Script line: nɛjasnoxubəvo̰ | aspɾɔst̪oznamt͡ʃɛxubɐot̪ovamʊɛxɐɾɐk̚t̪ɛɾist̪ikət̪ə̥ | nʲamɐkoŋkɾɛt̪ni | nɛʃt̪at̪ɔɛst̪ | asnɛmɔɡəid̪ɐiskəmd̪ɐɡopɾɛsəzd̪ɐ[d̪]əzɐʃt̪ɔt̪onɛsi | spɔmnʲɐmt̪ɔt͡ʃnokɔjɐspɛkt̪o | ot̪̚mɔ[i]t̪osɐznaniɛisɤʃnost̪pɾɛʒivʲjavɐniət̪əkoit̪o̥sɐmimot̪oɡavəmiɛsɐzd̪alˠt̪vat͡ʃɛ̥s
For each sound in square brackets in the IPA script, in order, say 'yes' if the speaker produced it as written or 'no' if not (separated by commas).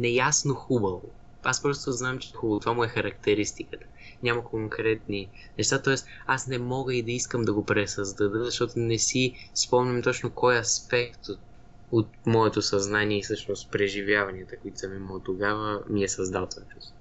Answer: yes, no